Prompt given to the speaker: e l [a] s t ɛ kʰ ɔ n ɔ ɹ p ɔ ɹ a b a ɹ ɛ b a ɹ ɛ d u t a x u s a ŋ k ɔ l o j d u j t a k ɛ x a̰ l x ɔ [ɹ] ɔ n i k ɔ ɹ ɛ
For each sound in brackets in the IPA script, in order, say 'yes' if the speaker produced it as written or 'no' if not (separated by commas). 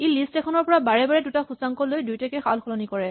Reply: no, no